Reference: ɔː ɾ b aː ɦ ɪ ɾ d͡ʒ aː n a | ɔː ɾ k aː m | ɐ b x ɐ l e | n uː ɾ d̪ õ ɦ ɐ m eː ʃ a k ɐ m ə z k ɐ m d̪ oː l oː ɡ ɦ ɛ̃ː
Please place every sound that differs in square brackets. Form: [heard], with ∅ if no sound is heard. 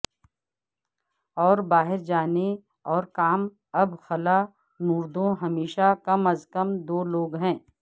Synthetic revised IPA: ɔː ɾ b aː ɦ ɪ ɾ d͡ʒ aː n [e] | ɔː ɾ k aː m | ɐ b x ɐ l [a] | n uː ɾ d̪ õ ɦ ɐ m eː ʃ a k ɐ m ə z k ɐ m d̪ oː l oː ɡ ɦ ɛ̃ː